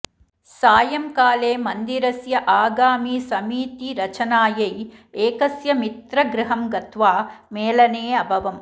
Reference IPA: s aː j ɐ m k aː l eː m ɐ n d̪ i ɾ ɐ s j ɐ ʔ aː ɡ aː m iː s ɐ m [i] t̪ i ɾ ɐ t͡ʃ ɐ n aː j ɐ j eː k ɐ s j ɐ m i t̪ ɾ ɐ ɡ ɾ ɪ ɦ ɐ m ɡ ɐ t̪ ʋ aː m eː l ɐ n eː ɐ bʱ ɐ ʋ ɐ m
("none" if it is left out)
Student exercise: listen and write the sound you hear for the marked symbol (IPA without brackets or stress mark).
iː